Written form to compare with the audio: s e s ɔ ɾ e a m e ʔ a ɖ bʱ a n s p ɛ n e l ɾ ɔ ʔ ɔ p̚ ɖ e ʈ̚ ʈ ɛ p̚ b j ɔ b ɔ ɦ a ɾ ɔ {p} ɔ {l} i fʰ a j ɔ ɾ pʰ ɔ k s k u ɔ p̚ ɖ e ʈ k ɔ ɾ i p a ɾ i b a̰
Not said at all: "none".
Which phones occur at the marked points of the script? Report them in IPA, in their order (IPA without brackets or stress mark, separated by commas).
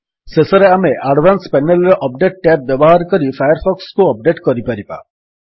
k, ɾ